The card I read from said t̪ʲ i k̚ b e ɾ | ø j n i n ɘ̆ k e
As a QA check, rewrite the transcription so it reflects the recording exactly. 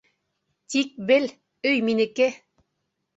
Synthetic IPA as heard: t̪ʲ i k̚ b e l | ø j m i n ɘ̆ k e